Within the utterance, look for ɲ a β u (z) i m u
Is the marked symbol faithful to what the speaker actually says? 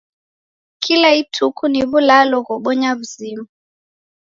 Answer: yes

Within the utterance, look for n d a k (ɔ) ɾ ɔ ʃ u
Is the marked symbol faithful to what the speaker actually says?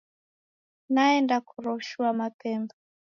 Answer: no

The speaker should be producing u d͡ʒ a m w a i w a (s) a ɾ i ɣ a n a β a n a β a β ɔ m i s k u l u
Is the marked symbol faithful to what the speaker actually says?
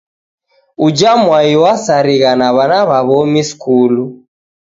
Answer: yes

